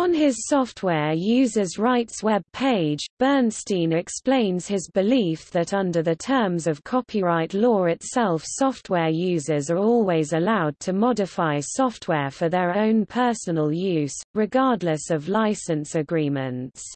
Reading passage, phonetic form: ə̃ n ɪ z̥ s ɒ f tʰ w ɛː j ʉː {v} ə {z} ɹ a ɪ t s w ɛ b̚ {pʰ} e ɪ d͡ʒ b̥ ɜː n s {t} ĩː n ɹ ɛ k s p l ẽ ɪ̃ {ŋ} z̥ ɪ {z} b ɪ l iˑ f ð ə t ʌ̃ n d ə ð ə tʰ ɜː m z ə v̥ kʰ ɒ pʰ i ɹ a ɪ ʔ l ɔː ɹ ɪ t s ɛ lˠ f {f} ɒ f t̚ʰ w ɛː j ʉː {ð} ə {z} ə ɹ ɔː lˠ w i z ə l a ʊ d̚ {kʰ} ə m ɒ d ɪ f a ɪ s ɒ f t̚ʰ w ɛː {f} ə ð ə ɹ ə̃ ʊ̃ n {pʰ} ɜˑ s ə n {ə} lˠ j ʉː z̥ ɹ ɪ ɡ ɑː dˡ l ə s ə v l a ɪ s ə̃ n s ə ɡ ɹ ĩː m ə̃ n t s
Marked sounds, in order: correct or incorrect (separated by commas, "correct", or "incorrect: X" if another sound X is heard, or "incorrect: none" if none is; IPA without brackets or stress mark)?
incorrect: z, correct, correct, correct, incorrect: n, correct, incorrect: s, incorrect: z, correct, incorrect: tʰ, correct, correct, correct